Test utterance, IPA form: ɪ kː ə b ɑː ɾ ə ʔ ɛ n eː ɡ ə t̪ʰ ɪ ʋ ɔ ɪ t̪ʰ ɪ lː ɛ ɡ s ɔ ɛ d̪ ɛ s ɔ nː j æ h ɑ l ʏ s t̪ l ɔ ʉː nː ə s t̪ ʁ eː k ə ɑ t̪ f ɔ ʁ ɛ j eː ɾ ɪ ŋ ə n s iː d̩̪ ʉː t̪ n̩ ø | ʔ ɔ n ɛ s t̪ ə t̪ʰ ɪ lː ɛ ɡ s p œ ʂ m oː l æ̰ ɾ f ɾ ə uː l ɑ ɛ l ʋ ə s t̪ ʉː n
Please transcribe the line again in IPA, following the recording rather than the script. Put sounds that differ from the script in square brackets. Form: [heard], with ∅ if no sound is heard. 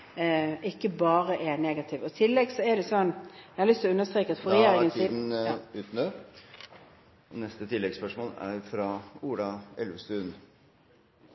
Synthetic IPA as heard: ɪ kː ə b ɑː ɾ ə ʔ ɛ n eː ɡ [ɑ] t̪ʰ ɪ ʋ ɔ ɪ t̪ʰ ɪ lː ɛ ɡ s ɔ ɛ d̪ ɛ s ɔ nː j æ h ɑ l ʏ s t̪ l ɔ [ʉ] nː ə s t̪ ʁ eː k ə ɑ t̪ f ɔ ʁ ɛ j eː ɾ ɪ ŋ ə n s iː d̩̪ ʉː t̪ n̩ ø | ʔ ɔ n ɛ s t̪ ə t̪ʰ ɪ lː ɛ ɡ s p œ ʂ m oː l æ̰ ɾ f ɾ [ɑ] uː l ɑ ɛ l ʋ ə s t̪ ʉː n